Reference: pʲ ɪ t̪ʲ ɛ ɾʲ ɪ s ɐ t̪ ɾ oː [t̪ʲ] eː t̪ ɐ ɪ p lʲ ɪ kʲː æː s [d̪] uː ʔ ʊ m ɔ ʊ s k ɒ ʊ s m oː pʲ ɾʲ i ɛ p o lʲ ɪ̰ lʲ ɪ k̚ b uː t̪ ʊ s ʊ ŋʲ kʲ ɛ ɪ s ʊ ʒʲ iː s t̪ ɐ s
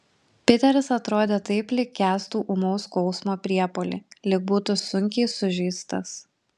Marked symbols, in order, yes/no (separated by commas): no, no